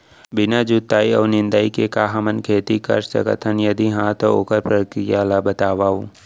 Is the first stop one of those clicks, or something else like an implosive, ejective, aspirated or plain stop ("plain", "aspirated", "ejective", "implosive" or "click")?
plain